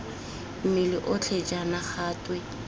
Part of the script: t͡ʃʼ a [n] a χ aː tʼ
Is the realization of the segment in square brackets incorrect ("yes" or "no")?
no